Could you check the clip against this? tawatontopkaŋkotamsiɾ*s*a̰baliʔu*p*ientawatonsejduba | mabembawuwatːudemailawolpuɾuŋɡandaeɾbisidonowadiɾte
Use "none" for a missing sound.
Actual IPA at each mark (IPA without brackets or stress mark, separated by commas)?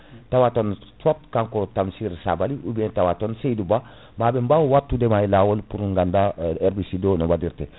s, b